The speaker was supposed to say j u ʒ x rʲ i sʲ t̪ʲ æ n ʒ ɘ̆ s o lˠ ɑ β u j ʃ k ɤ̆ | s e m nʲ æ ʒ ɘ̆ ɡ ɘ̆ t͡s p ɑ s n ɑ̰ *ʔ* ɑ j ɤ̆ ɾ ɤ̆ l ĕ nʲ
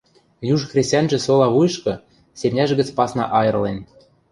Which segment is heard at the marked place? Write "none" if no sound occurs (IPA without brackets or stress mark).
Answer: ʔ